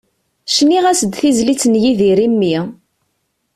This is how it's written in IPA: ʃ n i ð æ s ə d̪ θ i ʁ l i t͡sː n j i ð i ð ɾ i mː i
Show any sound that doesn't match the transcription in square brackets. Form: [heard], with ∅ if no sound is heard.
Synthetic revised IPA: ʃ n i [ʁ] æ s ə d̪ θ i [z] l i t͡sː n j i ð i [∅] ɾ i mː i